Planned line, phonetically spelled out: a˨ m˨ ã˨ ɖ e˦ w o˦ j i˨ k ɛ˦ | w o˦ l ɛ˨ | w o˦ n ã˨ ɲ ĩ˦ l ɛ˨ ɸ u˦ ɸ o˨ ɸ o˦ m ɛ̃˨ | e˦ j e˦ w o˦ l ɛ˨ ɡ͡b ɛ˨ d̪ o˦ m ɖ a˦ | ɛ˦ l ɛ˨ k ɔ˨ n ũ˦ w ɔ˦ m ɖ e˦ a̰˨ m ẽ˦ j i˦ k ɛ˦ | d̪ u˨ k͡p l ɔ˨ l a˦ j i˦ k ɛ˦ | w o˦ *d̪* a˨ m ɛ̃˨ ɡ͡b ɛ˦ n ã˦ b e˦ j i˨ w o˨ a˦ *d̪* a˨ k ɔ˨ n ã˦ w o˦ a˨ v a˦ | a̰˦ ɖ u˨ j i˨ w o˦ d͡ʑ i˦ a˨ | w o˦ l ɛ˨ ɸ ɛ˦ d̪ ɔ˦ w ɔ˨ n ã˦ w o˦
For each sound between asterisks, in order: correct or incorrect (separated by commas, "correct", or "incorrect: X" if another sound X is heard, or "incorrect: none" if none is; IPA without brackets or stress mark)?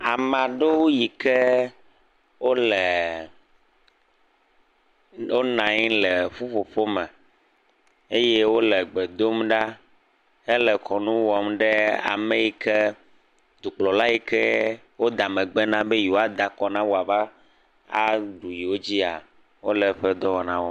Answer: correct, correct